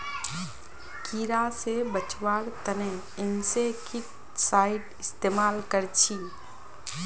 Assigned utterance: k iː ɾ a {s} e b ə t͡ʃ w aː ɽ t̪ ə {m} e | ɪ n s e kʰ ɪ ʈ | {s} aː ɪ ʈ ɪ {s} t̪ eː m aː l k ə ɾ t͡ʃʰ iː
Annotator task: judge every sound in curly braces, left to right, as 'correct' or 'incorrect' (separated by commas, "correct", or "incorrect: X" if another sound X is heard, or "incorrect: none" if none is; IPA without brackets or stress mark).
correct, incorrect: n, correct, correct